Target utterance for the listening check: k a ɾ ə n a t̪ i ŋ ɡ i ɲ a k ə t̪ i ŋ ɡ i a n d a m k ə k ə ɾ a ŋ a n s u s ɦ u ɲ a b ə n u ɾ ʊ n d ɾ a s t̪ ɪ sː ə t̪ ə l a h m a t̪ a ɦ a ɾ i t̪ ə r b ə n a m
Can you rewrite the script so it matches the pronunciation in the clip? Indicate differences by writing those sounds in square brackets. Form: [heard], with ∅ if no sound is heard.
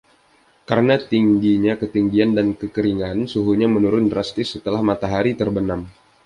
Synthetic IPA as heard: k a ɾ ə n a t̪ i ŋ ɡ i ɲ a k ə t̪ i ŋ ɡ i a n d a [n] k ə k ə ɾ [i] ŋ a n s u [∅] ɦ u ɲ a [m] ə n u ɾ ʊ n d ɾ a s t̪ ɪ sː ə t̪ ə l a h m a t̪ a ɦ a ɾ i t̪ ə r b ə n a m